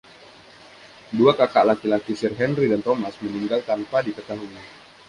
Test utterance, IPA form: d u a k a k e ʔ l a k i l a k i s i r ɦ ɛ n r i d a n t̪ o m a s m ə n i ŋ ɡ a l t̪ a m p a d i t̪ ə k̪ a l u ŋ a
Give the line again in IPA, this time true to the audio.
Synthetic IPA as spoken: d u a k a k a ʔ l a k i l a k i s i r ɦ ɛ n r i d a n t̪ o m a s m ə n i ŋ ɡ a l t̪ a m p a d i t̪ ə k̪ a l u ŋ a